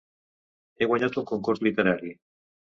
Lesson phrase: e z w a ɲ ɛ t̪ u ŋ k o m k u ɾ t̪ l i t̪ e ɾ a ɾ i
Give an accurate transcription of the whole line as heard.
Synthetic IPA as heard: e ɣ w a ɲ a t̪ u ŋ k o ŋ k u ɾ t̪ l i t̪ e ɾ a ɾ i